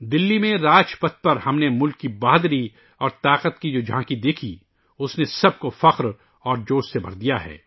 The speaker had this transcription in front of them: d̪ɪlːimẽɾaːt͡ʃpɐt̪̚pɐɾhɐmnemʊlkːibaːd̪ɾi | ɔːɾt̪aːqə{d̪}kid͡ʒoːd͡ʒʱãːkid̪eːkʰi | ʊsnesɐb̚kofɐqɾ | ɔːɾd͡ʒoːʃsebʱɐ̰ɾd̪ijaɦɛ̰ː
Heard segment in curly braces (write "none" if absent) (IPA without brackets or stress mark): t̪